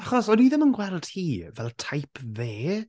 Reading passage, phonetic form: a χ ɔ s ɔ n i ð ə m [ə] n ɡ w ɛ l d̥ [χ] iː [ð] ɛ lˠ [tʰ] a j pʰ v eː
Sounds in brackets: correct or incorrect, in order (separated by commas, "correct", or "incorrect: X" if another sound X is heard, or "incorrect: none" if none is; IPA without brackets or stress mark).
correct, incorrect: h, incorrect: v, correct